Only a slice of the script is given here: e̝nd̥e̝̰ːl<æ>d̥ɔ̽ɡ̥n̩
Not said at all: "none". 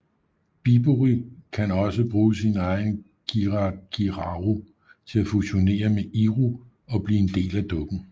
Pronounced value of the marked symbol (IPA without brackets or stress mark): æ